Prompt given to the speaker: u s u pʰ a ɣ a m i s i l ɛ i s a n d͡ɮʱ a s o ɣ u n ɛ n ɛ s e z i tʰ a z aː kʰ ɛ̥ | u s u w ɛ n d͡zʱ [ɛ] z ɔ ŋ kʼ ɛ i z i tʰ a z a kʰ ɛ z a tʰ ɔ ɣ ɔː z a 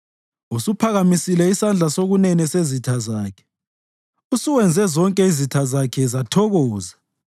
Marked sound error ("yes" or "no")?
no